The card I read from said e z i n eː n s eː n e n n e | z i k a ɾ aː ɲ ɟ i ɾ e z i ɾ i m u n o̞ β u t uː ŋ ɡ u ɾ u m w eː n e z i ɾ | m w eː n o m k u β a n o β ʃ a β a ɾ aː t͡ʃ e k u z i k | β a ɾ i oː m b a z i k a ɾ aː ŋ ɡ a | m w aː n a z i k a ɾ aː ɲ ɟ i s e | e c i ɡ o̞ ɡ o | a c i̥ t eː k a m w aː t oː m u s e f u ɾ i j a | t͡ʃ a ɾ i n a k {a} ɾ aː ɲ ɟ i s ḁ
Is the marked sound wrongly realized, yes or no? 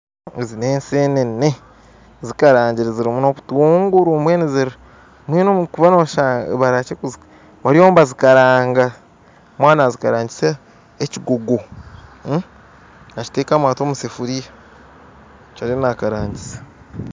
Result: no